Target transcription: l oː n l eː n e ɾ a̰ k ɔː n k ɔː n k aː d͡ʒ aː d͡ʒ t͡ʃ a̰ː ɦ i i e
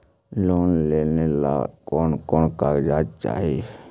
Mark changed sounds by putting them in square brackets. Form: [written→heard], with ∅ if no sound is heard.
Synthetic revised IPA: l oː n l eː n e [ɾ→l] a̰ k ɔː n k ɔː n k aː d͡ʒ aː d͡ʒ t͡ʃ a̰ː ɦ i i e